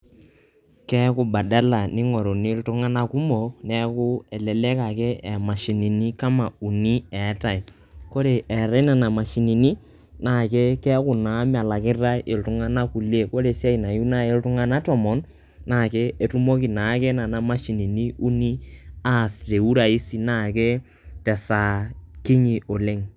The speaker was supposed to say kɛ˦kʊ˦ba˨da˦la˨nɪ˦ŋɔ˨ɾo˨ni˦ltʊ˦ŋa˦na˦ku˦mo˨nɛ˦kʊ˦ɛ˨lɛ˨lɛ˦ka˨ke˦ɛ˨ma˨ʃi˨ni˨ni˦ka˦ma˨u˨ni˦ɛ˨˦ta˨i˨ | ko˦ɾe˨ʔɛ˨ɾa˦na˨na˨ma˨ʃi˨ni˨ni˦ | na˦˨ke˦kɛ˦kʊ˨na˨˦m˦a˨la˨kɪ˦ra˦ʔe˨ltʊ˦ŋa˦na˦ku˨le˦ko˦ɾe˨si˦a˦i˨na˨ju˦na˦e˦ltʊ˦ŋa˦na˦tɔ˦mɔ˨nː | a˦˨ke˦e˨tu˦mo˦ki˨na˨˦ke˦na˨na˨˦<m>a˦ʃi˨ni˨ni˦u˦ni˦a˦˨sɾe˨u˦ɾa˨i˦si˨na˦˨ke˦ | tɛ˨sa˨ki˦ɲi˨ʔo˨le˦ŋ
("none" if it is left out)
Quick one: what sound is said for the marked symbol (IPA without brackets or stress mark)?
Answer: m